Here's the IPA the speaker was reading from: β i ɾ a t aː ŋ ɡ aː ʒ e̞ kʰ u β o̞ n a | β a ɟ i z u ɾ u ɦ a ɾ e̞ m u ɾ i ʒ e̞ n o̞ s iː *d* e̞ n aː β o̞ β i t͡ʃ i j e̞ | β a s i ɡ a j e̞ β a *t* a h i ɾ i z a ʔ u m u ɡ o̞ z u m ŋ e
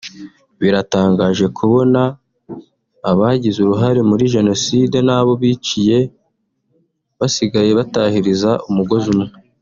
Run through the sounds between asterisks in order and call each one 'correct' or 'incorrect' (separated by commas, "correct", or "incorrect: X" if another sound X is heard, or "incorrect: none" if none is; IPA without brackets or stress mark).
correct, correct